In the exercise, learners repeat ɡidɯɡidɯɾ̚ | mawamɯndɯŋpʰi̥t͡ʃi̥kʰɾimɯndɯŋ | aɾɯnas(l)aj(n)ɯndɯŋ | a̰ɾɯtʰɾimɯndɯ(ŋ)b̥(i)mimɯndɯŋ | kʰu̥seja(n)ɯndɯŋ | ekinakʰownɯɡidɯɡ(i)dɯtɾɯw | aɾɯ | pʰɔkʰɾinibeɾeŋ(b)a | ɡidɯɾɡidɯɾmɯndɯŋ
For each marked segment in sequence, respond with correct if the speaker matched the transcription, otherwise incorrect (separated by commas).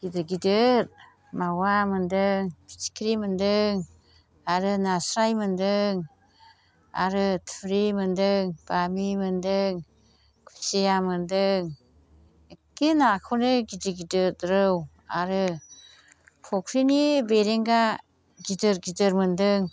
incorrect, incorrect, correct, incorrect, incorrect, correct, incorrect